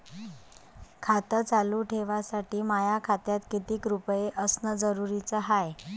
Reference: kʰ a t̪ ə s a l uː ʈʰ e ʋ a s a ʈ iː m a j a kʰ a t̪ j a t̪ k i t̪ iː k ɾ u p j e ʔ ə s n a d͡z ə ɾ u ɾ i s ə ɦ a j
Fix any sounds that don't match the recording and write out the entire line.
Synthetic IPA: kʰ a t̪ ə t͡s a l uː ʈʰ e ʋ a s a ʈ iː m a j a kʰ a t̪ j a t̪ k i t̪ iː k ɾ u p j e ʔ ə s n ə d͡z ə ɾ u ɾ i t͡s ə ɦ a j